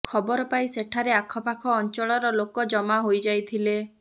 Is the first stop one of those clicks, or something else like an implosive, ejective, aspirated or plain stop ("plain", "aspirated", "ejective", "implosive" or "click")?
aspirated